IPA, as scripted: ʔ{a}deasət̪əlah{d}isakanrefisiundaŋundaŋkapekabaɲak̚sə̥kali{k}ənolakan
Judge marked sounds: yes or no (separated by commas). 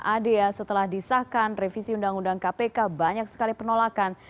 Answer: yes, yes, no